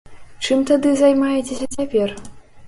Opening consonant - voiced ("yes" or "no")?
no